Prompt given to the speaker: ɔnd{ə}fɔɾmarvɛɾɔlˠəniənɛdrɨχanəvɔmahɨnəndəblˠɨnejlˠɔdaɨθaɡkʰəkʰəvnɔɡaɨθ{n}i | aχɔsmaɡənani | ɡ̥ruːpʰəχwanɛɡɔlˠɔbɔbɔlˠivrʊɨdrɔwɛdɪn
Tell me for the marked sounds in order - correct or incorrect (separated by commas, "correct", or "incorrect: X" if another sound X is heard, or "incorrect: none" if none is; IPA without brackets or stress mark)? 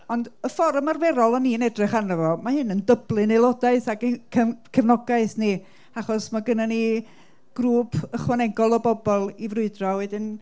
correct, correct